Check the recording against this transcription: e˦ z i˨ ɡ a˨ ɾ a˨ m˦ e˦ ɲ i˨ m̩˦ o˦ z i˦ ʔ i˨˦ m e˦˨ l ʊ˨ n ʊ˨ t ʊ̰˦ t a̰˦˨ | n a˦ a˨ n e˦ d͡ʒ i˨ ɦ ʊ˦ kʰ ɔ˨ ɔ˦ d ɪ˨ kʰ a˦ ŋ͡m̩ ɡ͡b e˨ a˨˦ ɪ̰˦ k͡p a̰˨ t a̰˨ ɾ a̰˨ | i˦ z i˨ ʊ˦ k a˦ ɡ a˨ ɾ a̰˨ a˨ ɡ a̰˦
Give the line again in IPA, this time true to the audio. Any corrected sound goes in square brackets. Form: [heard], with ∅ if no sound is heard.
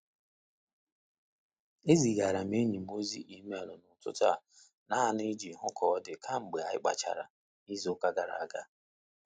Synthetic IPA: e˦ z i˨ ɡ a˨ ɾ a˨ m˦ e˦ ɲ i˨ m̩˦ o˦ z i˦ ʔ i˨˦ m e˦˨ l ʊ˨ n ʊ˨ t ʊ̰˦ t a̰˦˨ | n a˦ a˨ n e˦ d͡ʒ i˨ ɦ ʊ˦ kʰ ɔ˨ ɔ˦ d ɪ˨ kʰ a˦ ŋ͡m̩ ɡ͡b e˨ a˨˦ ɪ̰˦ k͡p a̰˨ [t͡ʃ] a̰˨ ɾ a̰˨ | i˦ z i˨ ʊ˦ k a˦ ɡ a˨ ɾ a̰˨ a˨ ɡ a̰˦

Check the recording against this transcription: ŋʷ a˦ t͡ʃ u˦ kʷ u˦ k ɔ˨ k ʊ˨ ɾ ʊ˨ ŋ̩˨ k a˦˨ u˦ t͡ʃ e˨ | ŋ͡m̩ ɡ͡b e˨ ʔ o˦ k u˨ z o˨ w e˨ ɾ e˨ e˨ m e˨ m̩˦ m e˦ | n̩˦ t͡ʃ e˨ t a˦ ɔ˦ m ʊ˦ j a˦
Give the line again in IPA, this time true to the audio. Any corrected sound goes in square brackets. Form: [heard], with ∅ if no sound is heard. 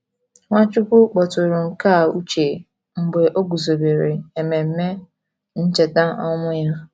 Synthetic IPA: ŋʷ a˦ t͡ʃ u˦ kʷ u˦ [k͡p] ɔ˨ [t] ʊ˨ ɾ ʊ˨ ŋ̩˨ k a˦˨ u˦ t͡ʃ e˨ | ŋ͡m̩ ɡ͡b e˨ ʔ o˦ [ɡ] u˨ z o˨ [b] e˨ ɾ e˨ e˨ m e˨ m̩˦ m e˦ | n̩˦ t͡ʃ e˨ t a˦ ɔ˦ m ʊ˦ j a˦

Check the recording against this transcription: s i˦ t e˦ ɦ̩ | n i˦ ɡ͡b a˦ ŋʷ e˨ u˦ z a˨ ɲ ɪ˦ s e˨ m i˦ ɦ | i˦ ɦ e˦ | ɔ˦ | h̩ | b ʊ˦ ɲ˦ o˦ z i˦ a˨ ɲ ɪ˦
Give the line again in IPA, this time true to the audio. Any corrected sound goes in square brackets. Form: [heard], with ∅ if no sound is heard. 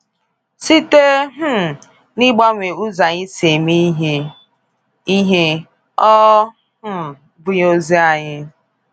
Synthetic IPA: s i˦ t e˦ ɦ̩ | n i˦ ɡ͡b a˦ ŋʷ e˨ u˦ z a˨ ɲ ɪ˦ s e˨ m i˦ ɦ | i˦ ɦ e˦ | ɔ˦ | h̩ | b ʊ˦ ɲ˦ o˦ z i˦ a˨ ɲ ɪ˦

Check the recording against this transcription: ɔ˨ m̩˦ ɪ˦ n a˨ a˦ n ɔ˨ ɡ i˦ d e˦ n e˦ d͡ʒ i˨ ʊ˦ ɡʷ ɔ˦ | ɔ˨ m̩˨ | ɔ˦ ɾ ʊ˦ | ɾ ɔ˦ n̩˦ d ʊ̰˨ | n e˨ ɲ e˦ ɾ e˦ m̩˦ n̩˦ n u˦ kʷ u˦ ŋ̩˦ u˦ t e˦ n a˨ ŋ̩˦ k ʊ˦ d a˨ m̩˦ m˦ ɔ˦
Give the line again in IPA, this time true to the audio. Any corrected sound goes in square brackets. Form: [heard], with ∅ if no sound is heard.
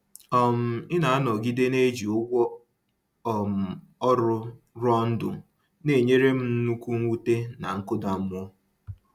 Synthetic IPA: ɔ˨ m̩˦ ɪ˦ n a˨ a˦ n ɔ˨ ɡ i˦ d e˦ n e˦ d͡ʒ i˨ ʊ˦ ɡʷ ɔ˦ | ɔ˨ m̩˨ | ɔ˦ ɾ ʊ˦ | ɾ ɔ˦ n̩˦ d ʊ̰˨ | n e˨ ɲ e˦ ɾ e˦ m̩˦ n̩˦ n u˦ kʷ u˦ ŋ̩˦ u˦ t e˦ n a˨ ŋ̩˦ k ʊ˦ d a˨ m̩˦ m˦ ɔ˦

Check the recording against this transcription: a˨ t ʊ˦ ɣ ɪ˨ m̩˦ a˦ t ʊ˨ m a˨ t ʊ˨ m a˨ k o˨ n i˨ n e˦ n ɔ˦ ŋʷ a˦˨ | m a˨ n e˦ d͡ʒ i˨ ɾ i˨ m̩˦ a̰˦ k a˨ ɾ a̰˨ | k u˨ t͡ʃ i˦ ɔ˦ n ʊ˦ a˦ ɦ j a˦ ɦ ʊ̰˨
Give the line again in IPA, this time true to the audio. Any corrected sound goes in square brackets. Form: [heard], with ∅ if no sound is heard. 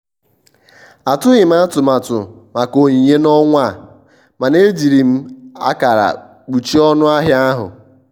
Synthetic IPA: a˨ t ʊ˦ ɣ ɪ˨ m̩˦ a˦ t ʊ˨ m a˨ t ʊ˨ m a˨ k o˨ [ɲ] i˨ [ɲ] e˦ n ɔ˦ ŋʷ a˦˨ | m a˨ n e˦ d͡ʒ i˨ ɾ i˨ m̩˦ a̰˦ k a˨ ɾ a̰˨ | [k͡p] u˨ t͡ʃ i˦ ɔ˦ n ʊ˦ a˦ ɦ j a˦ ɦ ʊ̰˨

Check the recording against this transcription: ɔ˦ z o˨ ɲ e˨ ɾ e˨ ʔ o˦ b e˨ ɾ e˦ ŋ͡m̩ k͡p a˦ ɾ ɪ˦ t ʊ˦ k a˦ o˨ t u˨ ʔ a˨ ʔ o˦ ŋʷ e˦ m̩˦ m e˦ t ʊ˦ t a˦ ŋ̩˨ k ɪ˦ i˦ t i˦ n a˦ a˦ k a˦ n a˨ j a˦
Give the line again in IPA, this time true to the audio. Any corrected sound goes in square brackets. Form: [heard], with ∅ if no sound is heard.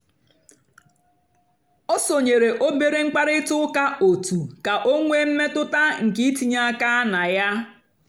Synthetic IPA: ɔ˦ [s] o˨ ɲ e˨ ɾ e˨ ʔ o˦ b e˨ ɾ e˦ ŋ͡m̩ k͡p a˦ ɾ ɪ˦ t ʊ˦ k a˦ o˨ t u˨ [k] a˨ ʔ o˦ ŋʷ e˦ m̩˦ m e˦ t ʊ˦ t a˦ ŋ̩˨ k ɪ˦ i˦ t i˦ [ɲ] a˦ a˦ k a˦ n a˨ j a˦

